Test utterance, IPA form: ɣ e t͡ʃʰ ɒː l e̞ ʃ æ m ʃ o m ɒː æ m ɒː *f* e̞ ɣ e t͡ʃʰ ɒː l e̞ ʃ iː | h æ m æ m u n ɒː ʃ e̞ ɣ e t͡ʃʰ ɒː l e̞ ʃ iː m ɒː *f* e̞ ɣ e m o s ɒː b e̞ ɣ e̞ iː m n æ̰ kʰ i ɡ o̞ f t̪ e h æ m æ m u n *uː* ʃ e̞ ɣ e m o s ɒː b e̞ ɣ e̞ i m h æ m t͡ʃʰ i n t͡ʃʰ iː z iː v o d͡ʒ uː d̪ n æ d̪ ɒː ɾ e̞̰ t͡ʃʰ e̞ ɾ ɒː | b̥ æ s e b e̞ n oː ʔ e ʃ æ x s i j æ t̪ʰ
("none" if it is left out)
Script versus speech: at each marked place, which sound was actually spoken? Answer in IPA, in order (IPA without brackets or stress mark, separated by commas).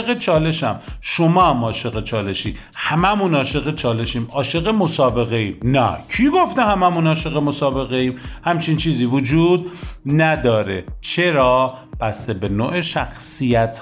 ʃ, ʃ, ɒː